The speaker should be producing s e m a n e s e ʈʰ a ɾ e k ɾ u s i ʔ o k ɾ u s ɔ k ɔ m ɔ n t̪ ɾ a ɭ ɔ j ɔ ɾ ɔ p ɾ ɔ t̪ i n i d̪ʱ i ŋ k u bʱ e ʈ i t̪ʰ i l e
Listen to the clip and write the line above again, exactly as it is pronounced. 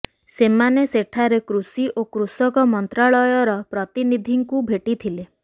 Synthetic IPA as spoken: s e m a n e s e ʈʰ a ɾ e k ɾ u s i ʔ o k ɾ u s ɔ k ɔ m ɔ n t̪ ɾ a ɭ ɔ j ɔ ɾ ɔ p ɾ ɔ t̪ i n i d̪ʱ i ŋ k u bʱ e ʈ i t̪ʰ i l e

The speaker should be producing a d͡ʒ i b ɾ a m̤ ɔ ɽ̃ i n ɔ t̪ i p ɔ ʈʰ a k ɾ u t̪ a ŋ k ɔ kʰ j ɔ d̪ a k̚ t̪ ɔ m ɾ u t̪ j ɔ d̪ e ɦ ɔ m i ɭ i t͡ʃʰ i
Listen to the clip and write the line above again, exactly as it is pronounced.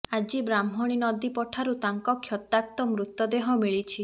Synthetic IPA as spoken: a d͡ʒ i b ɾ a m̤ ɔ ɽ̃ i n ɔ d̪ i p ɔ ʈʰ a ɾ u t̪ a ŋ k ɔ kʰ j ɔ t̪ a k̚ t̪ ɔ m ɾ u t̪ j ɔ d̪ e ɦ ɔ m i ɭ i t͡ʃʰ i

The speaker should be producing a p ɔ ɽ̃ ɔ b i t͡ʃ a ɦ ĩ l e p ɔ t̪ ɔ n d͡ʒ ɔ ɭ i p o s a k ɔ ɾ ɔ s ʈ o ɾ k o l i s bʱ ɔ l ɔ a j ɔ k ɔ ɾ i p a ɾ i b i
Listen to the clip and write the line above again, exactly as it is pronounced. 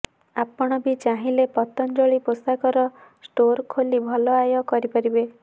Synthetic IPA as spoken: a p ɔ ɽ̃ ɔ b i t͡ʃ a ɦ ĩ l e p ɔ t̪ ɔ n d͡ʒ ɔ ɭ i p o s a k ɔ ɾ ɔ s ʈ o ɾ kʰ o l i bʱ ɔ l ɔ a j ɔ k ɔ ɾ i p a ɾ i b e

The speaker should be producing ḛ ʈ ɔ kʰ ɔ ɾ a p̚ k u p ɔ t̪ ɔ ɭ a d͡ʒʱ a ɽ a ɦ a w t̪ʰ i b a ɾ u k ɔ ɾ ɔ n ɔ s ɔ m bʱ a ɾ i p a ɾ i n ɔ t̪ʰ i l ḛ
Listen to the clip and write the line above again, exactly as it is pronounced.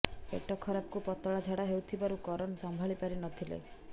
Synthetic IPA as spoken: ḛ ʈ ɔ kʰ ɔ ɾ a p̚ k u p ɔ t̪ ɔ ɭ a d͡ʒʱ a ɽ a ɦ e w t̪ʰ i b a ɾ u k ɔ ɾ ɔ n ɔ s ɔ m bʱ a ɭ i p a ɾ i n ɔ t̪ʰ i l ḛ

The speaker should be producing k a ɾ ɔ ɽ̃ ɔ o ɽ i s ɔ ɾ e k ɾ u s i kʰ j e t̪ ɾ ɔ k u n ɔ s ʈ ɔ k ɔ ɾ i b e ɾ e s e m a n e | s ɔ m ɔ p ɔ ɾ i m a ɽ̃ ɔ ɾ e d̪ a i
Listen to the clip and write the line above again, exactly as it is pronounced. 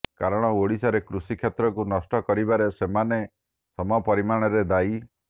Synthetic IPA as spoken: k a ɾ ɔ ɽ̃ ɔ o ɽ i s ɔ ɾ e k ɾ u s i kʰ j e t̪ ɾ ɔ k u n ɔ s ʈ ɔ k ɔ ɾ i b a ɾ e s e m a n e | s ɔ m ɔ p ɔ ɾ i m a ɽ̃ ɔ ɾ e d̪ a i

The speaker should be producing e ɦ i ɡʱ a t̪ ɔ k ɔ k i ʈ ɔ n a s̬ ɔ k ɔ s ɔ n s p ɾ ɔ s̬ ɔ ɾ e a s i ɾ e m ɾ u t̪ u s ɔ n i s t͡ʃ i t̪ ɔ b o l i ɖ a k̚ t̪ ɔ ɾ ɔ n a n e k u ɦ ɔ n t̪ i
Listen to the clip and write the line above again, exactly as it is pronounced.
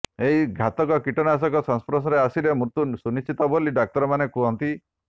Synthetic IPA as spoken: e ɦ i ɡʱ a t̪ ɔ k ɔ k i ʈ ɔ n a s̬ ɔ k ɔ s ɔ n s p ɾ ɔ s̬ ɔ ɾ e a s i ɾ e m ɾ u t̪ u s u n i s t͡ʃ i t̪ ɔ b o l i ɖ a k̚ t̪ ɔ ɾ ɔ m a n e k u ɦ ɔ n t̪ i

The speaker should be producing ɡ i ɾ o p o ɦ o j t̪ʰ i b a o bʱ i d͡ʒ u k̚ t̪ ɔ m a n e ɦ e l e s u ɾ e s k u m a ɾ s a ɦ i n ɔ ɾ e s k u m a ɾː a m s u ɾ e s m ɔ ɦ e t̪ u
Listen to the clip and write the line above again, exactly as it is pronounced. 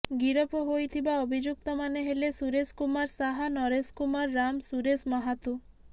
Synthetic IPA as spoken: ɡ i ɾ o p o ɦ o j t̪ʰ i b a o bʱ i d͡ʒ u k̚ t̪ ɔ m a n e ɦ e l e s u ɾ e s k u m a ɾ s a ɦ a n ɔ ɾ e s k u m a ɾː a m s u ɾ e s m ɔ ɦ a t̪ u

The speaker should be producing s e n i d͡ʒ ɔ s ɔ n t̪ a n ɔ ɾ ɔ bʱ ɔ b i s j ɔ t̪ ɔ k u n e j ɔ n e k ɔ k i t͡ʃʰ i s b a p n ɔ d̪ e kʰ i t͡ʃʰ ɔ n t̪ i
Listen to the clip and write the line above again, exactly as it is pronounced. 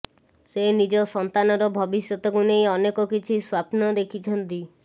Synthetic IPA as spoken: s e n i d͡ʒ ɔ s ɔ n t̪ a n ɔ ɾ ɔ bʱ ɔ b i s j ɔ t̪ ɔ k u n e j ɔ n e k ɔ k i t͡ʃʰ i s w a p n ɔ d̪ e kʰ i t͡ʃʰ ɔ n t̪ i

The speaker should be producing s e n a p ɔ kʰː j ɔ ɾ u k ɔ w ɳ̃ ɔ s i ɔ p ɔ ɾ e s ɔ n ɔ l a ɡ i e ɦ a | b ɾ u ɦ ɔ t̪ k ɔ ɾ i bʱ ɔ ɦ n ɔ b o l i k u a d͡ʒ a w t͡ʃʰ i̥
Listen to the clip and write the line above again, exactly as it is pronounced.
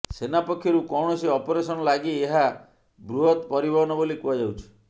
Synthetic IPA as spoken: s e n a p ɔ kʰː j ɔ ɾ u k ɔ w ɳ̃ ɔ s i ɔ p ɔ ɾ e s ɔ n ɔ l a ɡ i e ɦ a | b ɾ u ɦ ɔ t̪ p ɔ ɾ i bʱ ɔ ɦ n ɔ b o l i k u a d͡ʒ a w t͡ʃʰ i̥

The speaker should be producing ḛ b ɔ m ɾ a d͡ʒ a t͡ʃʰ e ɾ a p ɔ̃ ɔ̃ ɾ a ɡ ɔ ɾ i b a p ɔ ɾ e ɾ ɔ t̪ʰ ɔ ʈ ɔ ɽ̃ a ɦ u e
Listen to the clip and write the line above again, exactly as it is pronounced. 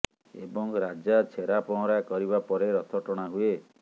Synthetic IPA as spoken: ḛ b ɔ ŋ ɾ a d͡ʒ a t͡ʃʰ e ɾ a p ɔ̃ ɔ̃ ɾ a k ɔ ɾ i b a p ɔ ɾ e ɾ ɔ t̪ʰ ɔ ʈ ɔ ɽ̃ a ɦ u e

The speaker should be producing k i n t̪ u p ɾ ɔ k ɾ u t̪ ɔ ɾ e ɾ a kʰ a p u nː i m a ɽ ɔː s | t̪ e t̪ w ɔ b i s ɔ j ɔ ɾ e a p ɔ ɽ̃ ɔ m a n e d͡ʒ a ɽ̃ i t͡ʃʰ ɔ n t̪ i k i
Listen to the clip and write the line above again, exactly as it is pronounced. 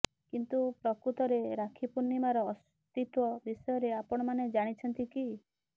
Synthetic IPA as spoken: k i n t̪ u p ɾ ɔ k ɾ u t̪ ɔ ɾ e ɾ a kʰ i p u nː i m a ɾ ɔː s | t̪ i t̪ w ɔ b i s ɔ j ɔ ɾ e a p ɔ ɽ̃ ɔ m a n e d͡ʒ a ɽ̃ i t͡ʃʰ ɔ n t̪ i k i

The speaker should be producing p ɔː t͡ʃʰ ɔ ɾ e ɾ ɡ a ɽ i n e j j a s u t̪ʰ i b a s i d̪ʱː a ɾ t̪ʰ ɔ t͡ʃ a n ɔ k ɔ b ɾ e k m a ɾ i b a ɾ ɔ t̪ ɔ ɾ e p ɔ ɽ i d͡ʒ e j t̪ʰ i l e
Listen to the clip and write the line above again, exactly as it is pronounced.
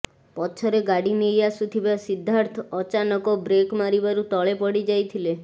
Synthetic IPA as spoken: p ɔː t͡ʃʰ ɔ ɾ e ɡ a ɽ i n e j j a s u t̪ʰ i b a s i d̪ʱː a ɾ t̪ʰ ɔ t͡ʃ a n ɔ k ɔ b ɾ e k m a ɾ i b a ɾ u t̪ ɔ ɭ e p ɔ ɽ i d͡ʒ a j t̪ʰ i l e

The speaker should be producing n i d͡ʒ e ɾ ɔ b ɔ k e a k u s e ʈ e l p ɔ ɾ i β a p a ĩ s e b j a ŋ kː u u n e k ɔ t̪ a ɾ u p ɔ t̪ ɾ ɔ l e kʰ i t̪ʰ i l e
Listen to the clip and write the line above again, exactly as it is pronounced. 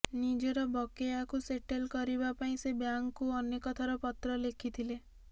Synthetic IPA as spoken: n i d͡ʒ e ɾ ɔ b ɔ k e a k u s e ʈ e l k ɔ ɾ i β a p a ĩ s e b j a ŋ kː u ɔ n e k ɔ t̪ʰ a ɾ ɔ p ɔ t̪ ɾ ɔ l e kʰ i t̪ʰ i l e

